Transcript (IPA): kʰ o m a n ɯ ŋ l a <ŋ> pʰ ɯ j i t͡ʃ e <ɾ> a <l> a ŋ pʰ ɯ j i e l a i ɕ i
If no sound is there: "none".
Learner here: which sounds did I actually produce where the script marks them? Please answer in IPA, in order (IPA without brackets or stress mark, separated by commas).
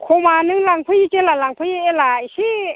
ŋ, l, l